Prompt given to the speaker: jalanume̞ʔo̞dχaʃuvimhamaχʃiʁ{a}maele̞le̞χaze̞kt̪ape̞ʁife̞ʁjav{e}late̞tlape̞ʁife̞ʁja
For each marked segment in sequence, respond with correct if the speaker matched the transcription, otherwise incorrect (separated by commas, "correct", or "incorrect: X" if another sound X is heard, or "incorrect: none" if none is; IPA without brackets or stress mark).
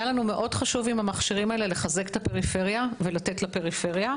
incorrect: i, correct